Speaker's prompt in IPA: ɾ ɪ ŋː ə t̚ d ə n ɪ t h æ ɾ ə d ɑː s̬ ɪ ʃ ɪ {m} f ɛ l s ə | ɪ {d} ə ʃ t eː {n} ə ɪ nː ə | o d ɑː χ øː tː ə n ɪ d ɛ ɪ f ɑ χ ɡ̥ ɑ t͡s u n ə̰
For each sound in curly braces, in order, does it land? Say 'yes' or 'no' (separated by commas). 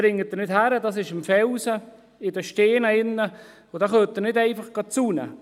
yes, yes, yes